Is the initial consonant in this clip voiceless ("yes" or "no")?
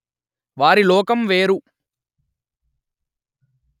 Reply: no